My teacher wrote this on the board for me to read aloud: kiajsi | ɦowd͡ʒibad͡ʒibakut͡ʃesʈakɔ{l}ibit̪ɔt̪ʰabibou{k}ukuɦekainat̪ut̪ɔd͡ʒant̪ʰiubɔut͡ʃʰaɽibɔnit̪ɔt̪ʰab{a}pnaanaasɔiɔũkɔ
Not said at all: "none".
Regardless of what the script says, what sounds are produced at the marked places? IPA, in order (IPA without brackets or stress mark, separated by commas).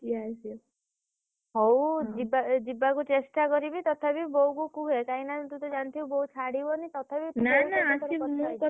ɾ, k, i